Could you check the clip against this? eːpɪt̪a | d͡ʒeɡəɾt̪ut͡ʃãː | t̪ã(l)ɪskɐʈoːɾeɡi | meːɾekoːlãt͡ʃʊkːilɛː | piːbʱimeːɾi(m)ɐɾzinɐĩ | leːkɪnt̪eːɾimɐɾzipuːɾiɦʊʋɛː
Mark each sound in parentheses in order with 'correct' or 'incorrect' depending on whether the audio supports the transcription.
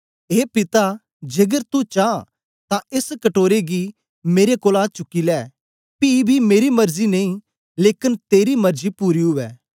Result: incorrect, correct

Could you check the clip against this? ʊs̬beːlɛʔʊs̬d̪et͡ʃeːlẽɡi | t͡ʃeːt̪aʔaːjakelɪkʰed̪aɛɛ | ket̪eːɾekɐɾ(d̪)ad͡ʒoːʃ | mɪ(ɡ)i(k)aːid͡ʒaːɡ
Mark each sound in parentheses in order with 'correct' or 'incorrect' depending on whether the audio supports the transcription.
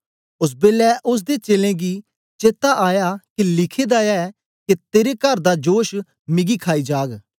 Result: correct, correct, incorrect

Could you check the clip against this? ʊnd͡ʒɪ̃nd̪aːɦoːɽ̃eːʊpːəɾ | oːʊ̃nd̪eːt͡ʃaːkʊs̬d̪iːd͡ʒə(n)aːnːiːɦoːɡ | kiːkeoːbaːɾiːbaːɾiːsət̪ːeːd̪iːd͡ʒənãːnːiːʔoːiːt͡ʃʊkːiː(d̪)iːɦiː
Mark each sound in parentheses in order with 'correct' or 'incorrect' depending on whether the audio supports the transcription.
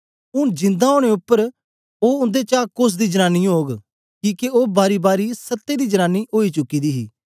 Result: correct, correct

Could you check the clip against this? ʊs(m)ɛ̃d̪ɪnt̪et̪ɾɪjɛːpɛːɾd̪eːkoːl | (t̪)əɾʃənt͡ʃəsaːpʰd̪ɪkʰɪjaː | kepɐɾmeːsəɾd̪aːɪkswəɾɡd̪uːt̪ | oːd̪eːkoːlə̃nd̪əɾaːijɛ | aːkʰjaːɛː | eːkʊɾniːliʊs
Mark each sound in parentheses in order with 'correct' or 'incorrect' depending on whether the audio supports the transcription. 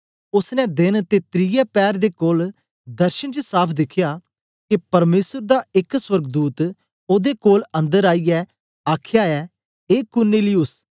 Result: incorrect, incorrect

